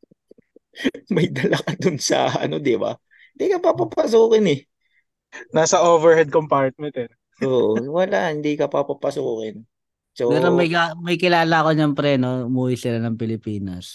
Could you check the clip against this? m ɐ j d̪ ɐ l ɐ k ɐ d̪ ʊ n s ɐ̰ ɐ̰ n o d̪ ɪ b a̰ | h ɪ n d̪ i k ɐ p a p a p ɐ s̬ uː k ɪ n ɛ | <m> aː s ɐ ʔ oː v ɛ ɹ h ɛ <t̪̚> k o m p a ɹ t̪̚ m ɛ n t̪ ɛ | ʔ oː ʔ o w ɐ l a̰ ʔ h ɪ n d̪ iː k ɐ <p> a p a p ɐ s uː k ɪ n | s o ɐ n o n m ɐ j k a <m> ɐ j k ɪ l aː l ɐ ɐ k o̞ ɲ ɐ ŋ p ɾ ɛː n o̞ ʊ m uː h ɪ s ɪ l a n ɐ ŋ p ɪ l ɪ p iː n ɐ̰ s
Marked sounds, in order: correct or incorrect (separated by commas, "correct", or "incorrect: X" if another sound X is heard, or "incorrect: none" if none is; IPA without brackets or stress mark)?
incorrect: n, incorrect: d̪̚, correct, correct